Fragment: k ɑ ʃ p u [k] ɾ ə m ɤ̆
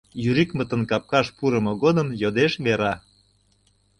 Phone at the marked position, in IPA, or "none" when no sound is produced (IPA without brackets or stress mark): none